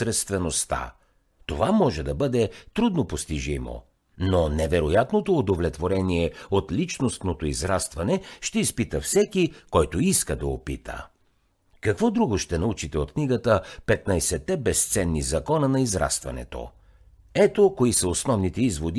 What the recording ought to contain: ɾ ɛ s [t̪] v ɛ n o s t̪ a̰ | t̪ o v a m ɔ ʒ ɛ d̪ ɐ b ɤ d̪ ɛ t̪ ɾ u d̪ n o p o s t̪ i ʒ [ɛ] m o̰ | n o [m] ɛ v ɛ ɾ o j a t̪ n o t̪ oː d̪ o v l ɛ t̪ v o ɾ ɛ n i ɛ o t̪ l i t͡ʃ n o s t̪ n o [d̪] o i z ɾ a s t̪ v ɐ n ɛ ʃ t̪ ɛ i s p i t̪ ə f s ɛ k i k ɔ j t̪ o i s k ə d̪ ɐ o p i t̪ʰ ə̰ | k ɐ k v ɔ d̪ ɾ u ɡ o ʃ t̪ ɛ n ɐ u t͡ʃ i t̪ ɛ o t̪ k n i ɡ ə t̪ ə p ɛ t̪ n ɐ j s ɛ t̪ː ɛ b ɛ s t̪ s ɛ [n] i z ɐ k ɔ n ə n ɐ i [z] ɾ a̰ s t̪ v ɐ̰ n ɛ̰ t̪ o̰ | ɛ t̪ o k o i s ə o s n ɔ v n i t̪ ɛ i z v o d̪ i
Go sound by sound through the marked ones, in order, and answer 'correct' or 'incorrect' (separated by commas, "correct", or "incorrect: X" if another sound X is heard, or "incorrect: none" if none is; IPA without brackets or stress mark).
correct, incorrect: i, incorrect: n, incorrect: t̪, incorrect: nː, correct